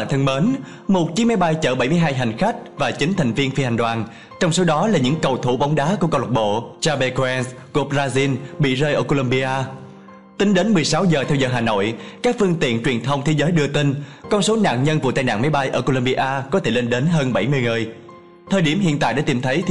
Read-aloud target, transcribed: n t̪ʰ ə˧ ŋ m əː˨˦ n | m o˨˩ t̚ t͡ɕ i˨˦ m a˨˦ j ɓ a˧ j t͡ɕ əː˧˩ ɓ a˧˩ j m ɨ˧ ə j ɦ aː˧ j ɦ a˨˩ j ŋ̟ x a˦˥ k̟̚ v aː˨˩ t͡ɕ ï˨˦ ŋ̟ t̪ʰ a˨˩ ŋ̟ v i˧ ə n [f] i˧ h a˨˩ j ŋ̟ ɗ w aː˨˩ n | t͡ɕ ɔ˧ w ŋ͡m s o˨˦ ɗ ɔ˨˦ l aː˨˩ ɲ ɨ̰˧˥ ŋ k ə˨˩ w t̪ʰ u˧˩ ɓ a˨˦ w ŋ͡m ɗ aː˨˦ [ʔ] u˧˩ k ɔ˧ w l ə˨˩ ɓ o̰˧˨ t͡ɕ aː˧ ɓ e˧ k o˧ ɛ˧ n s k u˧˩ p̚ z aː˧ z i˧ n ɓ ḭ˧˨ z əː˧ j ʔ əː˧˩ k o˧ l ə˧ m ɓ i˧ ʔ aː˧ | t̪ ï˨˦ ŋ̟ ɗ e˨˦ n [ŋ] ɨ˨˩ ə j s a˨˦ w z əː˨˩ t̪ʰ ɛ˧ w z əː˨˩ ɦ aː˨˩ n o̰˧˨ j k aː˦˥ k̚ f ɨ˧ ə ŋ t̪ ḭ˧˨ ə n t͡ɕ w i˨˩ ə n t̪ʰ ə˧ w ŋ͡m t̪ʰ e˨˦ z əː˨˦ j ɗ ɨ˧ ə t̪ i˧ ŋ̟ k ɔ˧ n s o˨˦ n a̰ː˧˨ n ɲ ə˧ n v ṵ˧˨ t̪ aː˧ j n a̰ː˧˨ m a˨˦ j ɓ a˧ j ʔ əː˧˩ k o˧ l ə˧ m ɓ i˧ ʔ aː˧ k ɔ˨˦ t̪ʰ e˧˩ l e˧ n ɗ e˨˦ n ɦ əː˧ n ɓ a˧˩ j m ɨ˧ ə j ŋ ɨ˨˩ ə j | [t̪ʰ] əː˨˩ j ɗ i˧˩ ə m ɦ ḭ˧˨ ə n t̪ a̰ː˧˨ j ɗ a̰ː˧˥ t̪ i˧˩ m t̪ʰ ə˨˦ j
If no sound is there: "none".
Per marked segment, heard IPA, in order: f, k, m, t̪ʰ

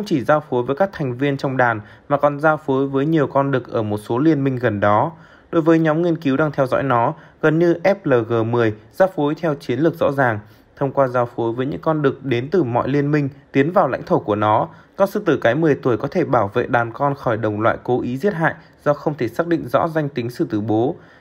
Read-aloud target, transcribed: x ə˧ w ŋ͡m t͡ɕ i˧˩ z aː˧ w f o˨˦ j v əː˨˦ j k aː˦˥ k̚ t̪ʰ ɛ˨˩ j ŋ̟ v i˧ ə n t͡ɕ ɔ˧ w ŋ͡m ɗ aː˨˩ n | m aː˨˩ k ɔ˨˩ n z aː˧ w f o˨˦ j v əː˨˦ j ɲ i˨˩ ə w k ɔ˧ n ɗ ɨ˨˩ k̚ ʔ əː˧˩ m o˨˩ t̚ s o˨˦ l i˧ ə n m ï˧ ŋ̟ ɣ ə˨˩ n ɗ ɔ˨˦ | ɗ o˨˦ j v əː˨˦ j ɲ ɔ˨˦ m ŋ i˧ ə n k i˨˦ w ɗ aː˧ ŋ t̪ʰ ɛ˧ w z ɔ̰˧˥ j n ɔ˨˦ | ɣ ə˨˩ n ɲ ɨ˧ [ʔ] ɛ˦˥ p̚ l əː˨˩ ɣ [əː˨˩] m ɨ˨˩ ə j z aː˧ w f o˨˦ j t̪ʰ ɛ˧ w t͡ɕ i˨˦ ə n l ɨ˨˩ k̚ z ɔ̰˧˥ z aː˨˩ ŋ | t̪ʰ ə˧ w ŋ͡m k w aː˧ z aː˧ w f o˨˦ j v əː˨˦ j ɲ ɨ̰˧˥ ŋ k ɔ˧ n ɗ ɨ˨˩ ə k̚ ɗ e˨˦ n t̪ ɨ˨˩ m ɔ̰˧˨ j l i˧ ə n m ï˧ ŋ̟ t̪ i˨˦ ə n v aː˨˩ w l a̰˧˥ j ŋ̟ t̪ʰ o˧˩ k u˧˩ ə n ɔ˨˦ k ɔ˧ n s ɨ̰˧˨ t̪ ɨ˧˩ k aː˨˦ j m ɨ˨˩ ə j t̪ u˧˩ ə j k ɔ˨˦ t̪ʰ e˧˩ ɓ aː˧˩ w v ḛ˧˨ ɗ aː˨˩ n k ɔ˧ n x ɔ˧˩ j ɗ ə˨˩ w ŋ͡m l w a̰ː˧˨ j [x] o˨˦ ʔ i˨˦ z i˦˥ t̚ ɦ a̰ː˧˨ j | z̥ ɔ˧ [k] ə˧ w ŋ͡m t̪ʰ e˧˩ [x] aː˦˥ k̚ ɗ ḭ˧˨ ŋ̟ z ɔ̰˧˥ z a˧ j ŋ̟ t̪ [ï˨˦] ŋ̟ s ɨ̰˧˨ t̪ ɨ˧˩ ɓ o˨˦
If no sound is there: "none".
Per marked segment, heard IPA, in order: ʔ, əː˨˩, k, x, s, ï˨˦

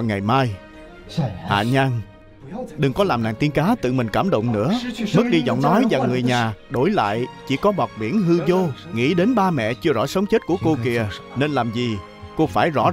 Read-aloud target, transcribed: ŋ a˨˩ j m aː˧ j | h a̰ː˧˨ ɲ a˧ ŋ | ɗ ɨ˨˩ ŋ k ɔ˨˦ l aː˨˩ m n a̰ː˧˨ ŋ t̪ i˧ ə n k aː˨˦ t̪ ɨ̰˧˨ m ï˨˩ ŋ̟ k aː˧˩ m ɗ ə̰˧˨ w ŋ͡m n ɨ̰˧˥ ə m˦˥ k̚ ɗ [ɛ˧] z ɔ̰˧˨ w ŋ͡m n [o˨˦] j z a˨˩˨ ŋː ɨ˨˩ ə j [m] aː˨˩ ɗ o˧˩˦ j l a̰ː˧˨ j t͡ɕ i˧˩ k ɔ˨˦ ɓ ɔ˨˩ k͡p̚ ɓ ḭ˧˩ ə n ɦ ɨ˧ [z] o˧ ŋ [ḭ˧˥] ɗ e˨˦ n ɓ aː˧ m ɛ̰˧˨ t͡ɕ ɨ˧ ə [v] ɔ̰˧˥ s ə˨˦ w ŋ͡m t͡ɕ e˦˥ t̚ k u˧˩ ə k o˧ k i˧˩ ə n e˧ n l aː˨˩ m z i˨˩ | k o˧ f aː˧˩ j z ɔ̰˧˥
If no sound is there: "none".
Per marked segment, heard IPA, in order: i˧, ɔ˨˦, ɲ, z, ḭ˧˥, z

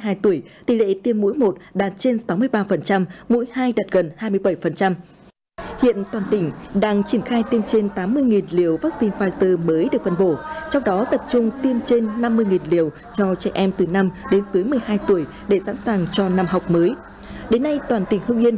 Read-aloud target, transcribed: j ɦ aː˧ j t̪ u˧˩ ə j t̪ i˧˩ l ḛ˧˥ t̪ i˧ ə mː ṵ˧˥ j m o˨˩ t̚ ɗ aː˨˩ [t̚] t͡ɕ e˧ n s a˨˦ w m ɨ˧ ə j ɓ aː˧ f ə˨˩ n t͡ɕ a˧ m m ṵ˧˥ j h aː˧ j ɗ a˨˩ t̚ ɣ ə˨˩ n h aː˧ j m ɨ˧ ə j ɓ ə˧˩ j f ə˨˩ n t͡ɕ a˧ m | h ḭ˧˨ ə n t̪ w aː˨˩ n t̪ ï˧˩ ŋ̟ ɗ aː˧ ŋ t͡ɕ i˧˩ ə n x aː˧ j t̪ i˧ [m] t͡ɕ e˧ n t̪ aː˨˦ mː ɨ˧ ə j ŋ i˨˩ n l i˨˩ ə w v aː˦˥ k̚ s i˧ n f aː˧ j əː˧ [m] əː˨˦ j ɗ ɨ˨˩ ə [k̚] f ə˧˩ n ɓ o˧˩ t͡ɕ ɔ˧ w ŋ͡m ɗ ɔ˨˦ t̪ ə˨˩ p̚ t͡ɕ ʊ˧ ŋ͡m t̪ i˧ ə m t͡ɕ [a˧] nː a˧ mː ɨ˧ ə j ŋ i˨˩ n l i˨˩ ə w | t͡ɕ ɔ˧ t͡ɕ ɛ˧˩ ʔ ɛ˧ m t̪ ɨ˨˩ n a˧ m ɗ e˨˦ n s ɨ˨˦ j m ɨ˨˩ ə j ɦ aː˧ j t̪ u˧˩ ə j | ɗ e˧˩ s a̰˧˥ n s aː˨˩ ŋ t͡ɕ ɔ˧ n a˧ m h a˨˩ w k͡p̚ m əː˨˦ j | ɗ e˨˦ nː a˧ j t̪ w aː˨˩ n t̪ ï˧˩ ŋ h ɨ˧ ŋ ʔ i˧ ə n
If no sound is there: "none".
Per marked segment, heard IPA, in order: t̚, m, m, k̚, e˧

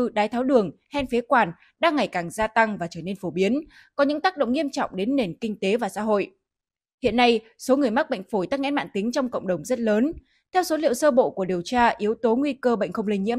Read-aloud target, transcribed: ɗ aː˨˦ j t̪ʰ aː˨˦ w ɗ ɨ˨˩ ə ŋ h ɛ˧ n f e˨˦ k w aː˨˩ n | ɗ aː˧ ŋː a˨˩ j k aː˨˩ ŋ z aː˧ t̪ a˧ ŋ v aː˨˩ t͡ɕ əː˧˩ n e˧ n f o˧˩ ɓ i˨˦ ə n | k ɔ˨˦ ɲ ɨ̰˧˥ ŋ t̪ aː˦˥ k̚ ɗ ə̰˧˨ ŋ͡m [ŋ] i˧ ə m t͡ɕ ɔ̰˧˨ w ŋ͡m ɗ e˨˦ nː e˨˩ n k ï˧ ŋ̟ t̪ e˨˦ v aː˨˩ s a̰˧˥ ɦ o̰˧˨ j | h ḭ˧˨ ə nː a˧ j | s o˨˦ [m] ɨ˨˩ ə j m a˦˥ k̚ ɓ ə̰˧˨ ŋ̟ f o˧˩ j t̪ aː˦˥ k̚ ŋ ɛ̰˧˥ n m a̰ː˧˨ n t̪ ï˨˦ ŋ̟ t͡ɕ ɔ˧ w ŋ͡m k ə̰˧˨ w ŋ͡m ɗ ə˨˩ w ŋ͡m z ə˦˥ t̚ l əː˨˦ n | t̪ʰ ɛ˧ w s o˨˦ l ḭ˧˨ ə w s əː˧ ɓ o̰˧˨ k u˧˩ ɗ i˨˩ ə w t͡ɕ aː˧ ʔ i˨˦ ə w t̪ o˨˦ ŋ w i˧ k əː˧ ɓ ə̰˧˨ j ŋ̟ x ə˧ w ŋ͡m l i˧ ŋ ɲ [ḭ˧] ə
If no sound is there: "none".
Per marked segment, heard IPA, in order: ŋ, ŋ, ḭ˧˥

